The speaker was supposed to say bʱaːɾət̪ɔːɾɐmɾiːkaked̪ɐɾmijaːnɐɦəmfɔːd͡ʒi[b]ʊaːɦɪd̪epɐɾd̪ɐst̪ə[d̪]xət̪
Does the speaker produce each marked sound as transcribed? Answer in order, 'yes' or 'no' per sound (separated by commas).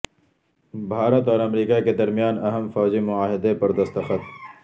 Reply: no, no